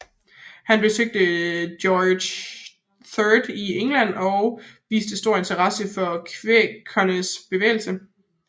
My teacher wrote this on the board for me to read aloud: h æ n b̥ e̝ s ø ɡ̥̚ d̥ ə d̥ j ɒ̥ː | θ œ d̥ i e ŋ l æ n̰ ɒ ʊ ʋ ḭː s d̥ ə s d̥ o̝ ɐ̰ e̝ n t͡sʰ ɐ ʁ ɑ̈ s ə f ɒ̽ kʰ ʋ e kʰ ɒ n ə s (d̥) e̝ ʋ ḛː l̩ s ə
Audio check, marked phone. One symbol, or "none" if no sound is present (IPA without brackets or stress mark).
b̥